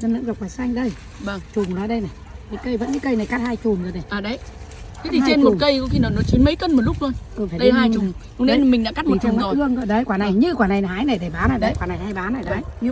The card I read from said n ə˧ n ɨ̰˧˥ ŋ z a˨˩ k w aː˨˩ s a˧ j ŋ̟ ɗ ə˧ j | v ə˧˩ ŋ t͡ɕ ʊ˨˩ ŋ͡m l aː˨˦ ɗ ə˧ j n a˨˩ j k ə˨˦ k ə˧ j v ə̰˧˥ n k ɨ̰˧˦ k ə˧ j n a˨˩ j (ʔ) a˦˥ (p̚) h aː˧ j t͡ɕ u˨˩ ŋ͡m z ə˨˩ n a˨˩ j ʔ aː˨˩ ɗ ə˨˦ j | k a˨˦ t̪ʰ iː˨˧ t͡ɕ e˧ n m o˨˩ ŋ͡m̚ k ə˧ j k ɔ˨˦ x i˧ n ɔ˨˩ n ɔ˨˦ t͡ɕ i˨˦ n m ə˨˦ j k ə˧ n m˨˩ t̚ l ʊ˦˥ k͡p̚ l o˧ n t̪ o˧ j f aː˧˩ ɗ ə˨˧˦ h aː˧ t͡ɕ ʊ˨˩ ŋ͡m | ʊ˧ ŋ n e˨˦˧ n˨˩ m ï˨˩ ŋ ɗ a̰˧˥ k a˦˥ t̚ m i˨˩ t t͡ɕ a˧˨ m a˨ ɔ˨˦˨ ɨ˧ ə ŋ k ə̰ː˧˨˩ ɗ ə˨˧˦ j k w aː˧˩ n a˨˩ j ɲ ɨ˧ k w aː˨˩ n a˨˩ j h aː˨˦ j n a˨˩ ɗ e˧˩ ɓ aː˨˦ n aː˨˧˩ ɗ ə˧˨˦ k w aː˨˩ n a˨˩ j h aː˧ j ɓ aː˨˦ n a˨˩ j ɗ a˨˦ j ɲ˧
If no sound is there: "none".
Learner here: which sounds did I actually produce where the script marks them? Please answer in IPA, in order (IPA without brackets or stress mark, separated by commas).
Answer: k, t̚